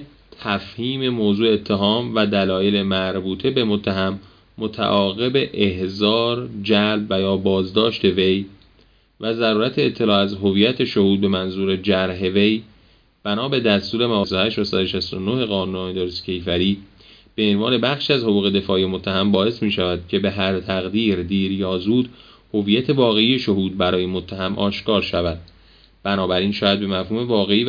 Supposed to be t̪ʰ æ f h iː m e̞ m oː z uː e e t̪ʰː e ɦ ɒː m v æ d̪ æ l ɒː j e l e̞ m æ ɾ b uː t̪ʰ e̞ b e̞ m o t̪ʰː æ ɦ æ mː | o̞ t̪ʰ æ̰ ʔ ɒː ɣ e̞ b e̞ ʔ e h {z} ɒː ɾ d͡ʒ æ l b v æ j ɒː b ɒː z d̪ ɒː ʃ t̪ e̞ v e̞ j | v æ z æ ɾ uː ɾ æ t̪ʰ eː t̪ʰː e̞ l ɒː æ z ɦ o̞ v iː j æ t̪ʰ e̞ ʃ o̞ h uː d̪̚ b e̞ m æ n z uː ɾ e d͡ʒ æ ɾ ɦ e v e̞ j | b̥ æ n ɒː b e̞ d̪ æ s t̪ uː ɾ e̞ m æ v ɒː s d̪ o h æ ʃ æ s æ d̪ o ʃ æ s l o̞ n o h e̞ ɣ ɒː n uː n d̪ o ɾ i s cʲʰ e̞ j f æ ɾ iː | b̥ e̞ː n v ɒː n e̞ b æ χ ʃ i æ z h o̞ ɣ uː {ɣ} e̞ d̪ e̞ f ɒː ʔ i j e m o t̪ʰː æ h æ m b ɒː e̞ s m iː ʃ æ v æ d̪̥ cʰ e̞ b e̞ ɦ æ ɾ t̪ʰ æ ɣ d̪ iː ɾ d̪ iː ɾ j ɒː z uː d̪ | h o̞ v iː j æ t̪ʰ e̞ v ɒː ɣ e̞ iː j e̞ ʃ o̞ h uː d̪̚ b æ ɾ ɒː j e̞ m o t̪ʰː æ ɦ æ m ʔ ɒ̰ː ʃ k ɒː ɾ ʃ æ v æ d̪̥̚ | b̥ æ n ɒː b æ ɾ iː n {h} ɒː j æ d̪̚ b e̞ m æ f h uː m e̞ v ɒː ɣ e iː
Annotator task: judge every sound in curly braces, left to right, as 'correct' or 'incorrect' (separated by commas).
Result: correct, correct, incorrect